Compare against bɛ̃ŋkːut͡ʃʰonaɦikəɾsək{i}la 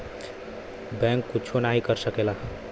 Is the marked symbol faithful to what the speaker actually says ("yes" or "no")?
no